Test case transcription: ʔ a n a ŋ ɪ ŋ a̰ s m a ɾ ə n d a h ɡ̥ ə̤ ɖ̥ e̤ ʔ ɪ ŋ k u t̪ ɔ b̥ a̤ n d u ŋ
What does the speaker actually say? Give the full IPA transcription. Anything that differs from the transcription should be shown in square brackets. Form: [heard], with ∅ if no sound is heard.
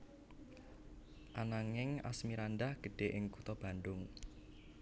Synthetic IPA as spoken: ʔ a n a ŋ ɪ ŋ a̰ s m [i] ɾ [a] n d a h ɡ̥ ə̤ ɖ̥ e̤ ʔ ɪ ŋ k u t̪ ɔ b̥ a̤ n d [ʊ] ŋ